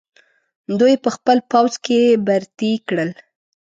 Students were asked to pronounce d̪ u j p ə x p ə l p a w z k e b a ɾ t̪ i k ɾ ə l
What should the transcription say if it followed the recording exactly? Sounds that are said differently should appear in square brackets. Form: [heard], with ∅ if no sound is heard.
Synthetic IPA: d̪ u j p ə x p ə l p a w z k e b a ɾ t̪ i k [ɽ] ə l